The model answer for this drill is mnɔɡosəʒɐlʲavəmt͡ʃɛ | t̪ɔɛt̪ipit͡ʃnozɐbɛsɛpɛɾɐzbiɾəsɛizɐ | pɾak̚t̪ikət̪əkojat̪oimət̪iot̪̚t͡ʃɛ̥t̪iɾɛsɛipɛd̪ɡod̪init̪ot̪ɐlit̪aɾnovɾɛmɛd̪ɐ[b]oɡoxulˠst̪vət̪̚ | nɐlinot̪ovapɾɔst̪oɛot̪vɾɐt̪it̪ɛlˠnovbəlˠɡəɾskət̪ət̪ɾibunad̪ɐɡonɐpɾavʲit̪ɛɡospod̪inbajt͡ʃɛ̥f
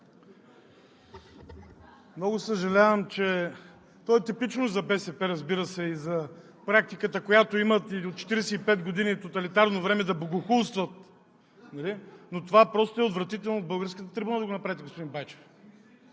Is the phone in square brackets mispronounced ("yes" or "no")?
no